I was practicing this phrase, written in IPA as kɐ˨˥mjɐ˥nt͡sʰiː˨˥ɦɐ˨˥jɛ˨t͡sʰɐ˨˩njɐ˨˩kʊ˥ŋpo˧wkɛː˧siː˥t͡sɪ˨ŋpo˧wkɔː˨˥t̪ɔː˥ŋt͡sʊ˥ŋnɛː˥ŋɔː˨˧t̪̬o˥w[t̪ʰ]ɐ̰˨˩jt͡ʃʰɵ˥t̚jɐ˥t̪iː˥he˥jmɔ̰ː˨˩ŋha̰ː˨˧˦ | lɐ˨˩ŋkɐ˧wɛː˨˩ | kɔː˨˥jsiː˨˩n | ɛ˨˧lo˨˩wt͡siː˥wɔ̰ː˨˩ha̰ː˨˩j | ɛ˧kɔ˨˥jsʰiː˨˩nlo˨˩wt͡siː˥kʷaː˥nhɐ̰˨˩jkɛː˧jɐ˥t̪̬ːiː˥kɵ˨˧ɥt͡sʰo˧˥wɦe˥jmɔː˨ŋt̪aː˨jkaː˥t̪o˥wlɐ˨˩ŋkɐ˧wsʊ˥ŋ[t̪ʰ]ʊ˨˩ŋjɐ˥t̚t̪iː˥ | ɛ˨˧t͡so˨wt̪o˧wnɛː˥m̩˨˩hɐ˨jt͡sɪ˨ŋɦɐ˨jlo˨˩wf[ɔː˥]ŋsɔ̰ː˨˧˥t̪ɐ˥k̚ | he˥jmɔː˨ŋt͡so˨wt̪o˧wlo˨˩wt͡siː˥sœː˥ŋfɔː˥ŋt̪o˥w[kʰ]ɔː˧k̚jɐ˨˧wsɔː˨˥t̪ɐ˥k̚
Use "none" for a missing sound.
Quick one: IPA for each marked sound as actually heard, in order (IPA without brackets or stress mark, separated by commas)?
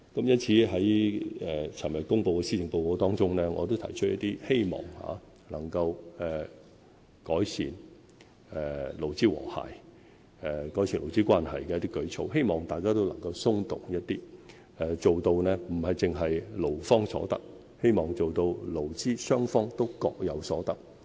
t̪ʰ, t̪, ɔː˥, k